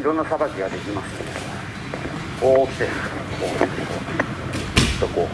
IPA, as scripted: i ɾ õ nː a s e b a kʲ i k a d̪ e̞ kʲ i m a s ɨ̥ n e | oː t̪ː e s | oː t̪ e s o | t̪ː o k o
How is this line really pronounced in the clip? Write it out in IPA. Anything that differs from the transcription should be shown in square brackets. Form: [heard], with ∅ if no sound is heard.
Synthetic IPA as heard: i ɾ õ nː a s [a] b a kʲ i [ɡ] a d̪ e̞ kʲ i m a s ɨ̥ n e | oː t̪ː e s | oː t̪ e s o | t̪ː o k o